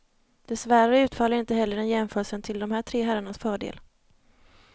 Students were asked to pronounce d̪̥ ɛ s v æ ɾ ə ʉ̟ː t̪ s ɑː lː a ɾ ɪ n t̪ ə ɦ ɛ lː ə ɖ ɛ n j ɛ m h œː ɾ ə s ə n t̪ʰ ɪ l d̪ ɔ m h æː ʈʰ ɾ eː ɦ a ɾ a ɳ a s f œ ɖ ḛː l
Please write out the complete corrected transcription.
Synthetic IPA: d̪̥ ɛ s v æ ɾ ə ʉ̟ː t̪ f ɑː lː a ɾ ɪ n t̪ ə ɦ ɛ lː ə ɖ ɛ n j ɛ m f œː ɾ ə s ə n t̪ʰ ɪ l d̪ ɔ m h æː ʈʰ ɾ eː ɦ æ ɾ a ɳ a s f œː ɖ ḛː l